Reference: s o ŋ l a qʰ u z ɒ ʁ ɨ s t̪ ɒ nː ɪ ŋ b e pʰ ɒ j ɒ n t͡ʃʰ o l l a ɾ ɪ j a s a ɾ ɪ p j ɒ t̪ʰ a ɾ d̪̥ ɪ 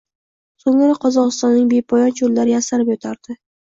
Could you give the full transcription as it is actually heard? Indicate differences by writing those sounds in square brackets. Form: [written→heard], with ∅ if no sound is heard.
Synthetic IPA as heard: s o ŋ [l→ɾ] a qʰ [u→ɒ] z ɒ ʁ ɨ s t̪ ɒ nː ɪ ŋ b e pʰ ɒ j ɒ n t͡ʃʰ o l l a ɾ ɪ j a s a ɾ ɪ p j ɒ t̪ʰ a ɾ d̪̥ ɪ